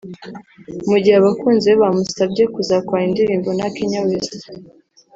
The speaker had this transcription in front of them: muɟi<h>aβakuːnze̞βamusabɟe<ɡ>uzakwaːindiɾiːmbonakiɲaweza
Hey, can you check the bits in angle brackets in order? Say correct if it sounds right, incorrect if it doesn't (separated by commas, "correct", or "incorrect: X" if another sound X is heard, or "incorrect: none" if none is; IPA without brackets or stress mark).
correct, incorrect: k